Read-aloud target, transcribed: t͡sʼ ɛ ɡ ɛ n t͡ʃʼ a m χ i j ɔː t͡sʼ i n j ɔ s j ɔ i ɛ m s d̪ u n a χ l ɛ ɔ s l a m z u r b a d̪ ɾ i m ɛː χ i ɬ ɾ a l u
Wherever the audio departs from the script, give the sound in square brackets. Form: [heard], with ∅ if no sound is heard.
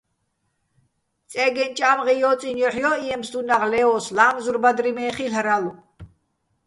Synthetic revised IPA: t͡sʼ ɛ ɡ ɛ n t͡ʃʼ a m [ʁ] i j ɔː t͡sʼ i n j ɔ [ħ] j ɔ i ɛ m s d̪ u n a [ʁ] l ɛ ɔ s l a m z u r b a d̪ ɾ i m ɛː χ i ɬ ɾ a l u